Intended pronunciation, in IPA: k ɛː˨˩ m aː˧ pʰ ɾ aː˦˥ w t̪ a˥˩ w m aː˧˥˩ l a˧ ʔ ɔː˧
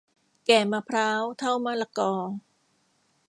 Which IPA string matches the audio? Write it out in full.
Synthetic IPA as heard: k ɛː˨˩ m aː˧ pʰ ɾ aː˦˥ w t̪ʰ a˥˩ w m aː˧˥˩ l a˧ k ɔː˧